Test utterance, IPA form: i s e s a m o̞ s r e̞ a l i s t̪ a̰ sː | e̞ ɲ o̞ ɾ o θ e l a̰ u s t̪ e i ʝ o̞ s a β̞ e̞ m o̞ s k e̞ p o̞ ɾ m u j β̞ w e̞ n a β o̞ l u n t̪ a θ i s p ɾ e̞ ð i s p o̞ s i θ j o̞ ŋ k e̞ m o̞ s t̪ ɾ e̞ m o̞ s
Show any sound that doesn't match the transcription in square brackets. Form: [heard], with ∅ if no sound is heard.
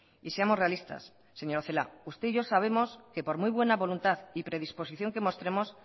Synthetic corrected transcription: i s e [∅] a m o̞ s r e̞ a l i s t̪ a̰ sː | e̞ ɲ o̞ ɾ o θ e l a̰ u s t̪ e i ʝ o̞ s a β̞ e̞ m o̞ s k e̞ p o̞ ɾ m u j β̞ w e̞ n a β o̞ l u n t̪ a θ i [∅] p ɾ e̞ ð i s p o̞ s i θ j o̞ ŋ k e̞ m o̞ s t̪ ɾ e̞ m o̞ s